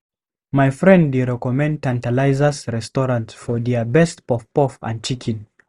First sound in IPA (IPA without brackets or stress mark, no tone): m